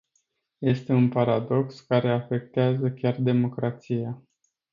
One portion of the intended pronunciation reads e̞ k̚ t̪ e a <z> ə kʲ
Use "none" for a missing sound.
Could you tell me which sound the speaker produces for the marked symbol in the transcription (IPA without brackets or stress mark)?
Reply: z